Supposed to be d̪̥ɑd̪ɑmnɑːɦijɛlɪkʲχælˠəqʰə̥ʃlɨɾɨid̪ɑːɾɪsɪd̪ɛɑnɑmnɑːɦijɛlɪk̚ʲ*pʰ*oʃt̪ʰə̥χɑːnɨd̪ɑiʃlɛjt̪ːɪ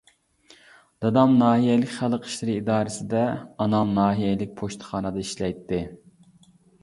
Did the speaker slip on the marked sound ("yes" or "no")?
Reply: no